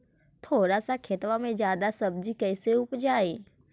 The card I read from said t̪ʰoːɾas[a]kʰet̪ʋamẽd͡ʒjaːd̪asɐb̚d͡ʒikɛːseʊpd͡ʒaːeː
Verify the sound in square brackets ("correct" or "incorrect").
correct